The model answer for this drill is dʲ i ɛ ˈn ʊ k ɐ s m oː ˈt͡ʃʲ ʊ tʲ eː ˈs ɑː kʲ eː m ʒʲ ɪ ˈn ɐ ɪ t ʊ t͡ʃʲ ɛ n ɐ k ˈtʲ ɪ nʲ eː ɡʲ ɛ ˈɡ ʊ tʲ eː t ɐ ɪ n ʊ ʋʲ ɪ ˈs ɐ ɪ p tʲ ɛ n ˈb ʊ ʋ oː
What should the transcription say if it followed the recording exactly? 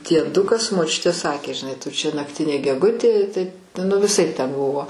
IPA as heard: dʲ i ɛ ˈd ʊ k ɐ s m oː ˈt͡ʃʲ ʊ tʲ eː ˈs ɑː kʲ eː ʒʲ ɪ ˈn ɐ ɪ t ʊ t͡ʃʲ ɛ n ɐ k ˈtʲ ɪ nʲ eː ɡʲ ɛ ˈɡ ʊ tʲ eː t ɐ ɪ n ʊ ʋʲ ɪ ˈs ɐ ɪ p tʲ ɛ n ˈb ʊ ʋ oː